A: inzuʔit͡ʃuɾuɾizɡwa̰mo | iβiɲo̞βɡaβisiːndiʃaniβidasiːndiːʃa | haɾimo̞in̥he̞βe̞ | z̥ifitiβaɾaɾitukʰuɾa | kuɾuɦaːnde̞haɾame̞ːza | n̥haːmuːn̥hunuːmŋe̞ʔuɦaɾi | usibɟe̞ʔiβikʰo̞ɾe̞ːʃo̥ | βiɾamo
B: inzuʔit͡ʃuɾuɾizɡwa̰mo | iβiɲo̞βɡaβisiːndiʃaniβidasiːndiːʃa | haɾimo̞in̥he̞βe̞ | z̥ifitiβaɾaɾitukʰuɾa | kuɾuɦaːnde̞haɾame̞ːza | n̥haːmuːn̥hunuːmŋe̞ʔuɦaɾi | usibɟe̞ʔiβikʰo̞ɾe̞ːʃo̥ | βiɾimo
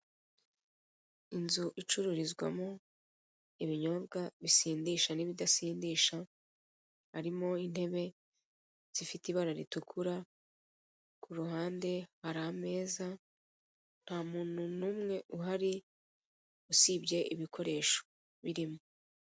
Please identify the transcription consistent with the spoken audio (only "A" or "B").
B